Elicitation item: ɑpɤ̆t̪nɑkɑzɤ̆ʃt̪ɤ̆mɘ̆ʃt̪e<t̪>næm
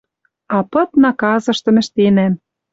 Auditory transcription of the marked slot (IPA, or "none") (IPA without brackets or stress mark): none